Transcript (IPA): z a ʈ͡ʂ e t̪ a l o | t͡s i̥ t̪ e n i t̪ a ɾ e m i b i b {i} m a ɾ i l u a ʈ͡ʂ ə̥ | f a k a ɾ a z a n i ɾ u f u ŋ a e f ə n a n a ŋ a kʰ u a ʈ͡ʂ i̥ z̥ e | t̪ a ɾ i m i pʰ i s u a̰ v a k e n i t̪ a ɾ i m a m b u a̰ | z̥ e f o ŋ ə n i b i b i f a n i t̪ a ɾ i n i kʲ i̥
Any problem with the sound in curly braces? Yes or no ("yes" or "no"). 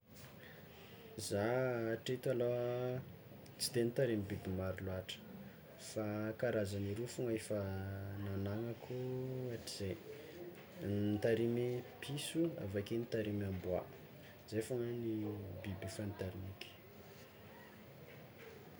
no